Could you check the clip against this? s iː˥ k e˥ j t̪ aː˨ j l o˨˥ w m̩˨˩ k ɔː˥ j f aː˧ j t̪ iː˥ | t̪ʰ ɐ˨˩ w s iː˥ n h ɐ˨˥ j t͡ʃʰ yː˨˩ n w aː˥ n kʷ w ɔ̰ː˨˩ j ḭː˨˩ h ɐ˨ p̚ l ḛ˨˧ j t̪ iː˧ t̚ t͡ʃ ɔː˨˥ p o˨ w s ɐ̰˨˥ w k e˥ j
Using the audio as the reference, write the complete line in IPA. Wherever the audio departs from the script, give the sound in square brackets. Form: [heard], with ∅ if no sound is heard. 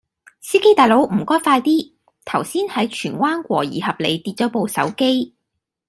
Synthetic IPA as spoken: s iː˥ k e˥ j t̪ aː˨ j l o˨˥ w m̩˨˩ k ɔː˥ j f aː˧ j t̪ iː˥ | t̪ʰ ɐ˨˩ w s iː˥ n h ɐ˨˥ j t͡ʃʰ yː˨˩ n w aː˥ n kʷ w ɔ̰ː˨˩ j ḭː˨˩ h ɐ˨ p̚ l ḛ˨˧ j t̪ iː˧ t̚ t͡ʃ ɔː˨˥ p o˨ w s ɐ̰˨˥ w k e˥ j